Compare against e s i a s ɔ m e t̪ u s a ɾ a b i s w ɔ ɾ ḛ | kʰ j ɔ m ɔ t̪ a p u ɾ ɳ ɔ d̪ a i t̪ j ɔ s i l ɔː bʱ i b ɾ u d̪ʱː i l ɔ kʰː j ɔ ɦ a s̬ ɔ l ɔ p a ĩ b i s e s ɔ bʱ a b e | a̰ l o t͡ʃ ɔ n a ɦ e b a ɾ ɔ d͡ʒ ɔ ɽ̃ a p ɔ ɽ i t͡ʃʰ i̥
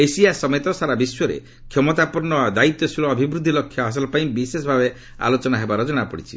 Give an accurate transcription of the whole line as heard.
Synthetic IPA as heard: e s i a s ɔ m e t̪ ɔ s a ɾ a b i s w ɔ ɾ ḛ | kʰ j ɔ m ɔ t̪ a p u ɾ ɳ ɔ d̪ a i t̪ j ɔ s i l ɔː bʱ i b ɾ u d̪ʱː i l ɔ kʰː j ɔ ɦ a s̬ ɔ l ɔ p a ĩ b i s e s ɔ bʱ a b e | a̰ l o t͡ʃ ɔ n a ɦ e b a ɾ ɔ d͡ʒ ɔ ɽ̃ a p ɔ ɽ i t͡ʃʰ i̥